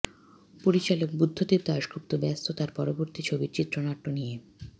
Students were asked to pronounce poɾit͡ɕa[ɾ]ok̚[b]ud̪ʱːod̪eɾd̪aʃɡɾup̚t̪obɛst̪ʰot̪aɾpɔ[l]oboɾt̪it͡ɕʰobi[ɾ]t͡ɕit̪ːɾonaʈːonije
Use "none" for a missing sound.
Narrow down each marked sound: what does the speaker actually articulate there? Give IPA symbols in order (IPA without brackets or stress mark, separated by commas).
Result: l, b, ɾ, ɾ